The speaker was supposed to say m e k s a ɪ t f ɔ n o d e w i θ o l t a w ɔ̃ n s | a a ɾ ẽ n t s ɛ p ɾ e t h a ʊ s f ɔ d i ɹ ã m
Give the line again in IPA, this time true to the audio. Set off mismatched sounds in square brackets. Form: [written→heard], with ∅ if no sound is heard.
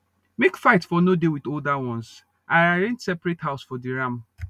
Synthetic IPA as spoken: m e k [s→f] a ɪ t f ɔ n o d e w i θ o l [t→d] a w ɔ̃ n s | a a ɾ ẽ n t s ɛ p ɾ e t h a ʊ s f ɔ d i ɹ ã m

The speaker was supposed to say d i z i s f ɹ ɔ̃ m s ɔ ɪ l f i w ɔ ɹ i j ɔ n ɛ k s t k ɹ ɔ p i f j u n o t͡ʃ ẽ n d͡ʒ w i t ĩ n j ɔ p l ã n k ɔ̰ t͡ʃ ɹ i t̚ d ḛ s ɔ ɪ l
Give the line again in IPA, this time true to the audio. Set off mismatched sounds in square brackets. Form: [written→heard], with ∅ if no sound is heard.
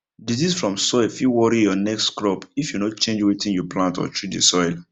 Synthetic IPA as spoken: d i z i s f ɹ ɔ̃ m s ɔ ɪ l f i w ɔ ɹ i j ɔ n ɛ k s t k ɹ ɔ p i f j u n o t͡ʃ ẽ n d͡ʒ w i t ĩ n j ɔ p l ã n [k→t] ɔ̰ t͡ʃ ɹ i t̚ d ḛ s ɔ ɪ l

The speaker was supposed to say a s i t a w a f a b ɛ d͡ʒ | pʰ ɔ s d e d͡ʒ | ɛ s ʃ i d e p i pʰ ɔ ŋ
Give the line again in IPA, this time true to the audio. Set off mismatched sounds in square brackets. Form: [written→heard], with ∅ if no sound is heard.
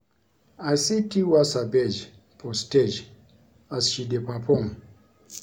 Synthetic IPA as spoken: a s i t [a→i] w a [f→s] a b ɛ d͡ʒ | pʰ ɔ s [d→t] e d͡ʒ | [ɛ→a] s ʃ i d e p [i→a] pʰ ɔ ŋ

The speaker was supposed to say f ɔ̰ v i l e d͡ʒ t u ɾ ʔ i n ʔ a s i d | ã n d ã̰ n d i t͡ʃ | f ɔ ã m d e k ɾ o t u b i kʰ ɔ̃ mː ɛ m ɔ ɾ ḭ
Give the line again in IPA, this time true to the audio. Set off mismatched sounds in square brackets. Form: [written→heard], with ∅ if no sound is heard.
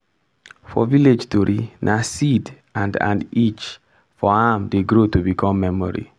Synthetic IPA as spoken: f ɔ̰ v i l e d͡ʒ t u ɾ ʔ i n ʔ a s i d | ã n d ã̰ n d i t͡ʃ | f ɔ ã m d e [k→ɡ] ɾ o t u b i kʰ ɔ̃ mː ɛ m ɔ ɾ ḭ

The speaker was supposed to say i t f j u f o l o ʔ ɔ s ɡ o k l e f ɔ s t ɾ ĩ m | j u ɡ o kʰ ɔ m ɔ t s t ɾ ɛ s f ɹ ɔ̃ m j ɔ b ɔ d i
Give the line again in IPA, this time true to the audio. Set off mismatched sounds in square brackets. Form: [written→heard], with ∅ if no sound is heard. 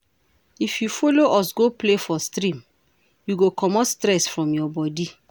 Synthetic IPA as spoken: i [t→∅] f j u f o l o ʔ ɔ s ɡ o [k→p] l e f ɔ s t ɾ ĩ m | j u ɡ o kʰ ɔ m ɔ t s t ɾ ɛ s f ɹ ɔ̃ m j ɔ b ɔ d i

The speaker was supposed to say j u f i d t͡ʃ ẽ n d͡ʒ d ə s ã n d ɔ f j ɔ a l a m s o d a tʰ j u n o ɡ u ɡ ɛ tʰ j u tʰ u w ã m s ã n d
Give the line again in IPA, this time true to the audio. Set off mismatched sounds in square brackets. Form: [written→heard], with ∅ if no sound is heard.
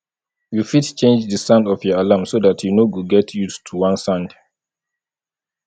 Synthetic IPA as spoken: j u f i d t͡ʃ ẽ n d͡ʒ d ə s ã n d ɔ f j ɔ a l a m s o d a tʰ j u n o ɡ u ɡ ɛ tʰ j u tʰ u w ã [m→n] s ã n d

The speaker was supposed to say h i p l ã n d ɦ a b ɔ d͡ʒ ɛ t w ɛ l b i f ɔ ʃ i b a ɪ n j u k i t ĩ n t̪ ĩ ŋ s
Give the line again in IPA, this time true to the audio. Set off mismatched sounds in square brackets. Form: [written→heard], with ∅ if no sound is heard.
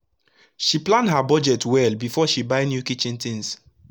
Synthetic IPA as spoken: [h→ʃ] i p l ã n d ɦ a b ɔ d͡ʒ ɛ t w ɛ l b i f ɔ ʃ i b a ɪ n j u k i [t→t͡ʃ] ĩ n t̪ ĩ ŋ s

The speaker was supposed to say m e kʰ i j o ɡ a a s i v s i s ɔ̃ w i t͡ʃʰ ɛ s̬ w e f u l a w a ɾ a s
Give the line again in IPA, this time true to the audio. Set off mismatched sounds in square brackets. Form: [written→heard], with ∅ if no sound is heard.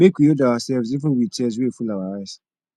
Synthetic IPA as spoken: m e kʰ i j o [ɡ→d] a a s [i→ɛ] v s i [s→f] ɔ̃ w i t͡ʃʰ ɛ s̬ w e f u l a w a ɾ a s

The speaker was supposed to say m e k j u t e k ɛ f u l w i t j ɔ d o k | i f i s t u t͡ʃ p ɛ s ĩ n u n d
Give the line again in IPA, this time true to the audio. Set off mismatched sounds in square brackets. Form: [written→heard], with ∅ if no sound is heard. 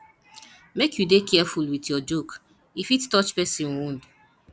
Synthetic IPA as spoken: m e k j u [t→d] e k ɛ f u l w i t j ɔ [d→d͡ʒ] o k | i f i [s→t] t [u→ɔ] t͡ʃ p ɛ s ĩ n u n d

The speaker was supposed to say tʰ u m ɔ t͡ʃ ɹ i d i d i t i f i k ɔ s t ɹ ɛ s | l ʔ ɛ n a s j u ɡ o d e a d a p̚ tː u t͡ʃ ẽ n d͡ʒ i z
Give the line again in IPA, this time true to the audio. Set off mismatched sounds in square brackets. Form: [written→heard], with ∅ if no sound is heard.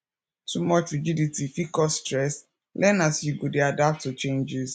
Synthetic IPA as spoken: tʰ u m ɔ t͡ʃ ɹ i [d→d͡ʒ] i d i t i f i k ɔ s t ɹ ɛ s | l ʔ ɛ n a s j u ɡ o d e a d a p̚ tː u t͡ʃ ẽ n d͡ʒ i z

